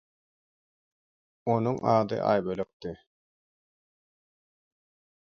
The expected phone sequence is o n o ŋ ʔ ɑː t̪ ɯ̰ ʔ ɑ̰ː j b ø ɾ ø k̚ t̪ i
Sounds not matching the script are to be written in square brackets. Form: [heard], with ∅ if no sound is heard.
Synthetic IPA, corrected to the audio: o n [u] ŋ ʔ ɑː [d̪] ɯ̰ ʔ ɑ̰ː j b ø [l] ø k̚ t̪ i